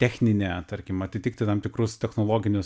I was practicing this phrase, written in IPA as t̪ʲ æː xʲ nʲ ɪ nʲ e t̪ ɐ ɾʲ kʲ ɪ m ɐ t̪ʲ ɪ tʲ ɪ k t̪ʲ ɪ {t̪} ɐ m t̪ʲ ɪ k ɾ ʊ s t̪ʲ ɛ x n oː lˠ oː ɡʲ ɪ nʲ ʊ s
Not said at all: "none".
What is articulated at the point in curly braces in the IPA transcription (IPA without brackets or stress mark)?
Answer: t̪